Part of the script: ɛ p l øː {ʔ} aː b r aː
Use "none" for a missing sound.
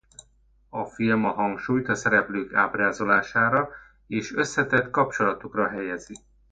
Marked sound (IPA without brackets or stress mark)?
k